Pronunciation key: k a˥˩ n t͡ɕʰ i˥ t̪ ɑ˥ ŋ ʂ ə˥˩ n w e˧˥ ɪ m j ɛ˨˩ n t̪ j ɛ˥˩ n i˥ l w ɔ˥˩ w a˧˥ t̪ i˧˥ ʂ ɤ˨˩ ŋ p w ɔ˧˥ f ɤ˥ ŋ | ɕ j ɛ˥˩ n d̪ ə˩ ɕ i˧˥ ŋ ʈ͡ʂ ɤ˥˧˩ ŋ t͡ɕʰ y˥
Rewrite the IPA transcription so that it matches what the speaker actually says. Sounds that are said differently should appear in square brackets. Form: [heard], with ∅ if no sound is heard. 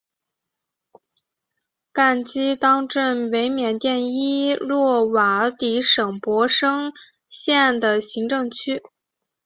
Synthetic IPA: k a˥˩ n [t͡ɕ] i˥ t̪ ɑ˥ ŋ [ʈ͡ʂ] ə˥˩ n w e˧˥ ɪ m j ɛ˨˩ n t̪ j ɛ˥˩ n i˥ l w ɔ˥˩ w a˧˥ t̪ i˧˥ ʂ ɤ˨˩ ŋ p w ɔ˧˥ [ʂ] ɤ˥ ŋ | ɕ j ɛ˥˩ n d̪ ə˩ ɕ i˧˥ ŋ ʈ͡ʂ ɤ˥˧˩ ŋ t͡ɕʰ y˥